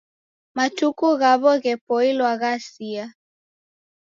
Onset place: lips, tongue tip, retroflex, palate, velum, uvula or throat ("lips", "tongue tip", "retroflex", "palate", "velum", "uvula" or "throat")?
lips